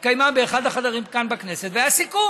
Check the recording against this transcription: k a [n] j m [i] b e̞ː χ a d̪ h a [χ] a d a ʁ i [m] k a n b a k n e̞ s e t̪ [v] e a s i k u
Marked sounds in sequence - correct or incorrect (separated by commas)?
incorrect, incorrect, correct, correct, correct